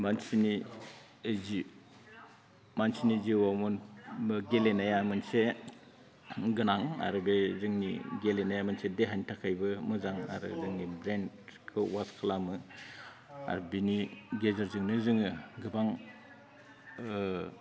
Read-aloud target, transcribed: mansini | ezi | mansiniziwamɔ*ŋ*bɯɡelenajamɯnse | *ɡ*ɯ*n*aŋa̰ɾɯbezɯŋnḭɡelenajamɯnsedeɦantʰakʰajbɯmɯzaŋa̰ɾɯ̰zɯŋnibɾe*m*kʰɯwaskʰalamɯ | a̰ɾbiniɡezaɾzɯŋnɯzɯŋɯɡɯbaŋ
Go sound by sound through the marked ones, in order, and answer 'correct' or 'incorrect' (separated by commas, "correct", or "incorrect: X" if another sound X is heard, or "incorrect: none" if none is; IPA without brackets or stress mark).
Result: incorrect: n, correct, correct, incorrect: n